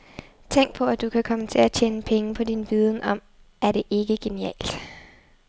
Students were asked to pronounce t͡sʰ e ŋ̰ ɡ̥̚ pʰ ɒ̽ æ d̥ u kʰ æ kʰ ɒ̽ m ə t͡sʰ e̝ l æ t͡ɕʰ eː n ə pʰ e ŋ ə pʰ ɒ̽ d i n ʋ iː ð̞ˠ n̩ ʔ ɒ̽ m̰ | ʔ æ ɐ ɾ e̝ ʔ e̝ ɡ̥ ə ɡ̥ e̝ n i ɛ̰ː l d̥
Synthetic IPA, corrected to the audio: t͡sʰ e ŋ̰ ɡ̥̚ pʰ ɒ̽ æ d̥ u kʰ æ kʰ ɒ̽ m ə t͡sʰ e̝ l æ t͡ɕʰ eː n ə pʰ e ŋ ə pʰ ɒ̽ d i n ʋ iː ð̞ˠ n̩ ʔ ɒ̽ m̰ | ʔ æ ɐ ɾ e̝ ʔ e̝ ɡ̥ ə ɡ̥ e̝ n i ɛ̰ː l d̥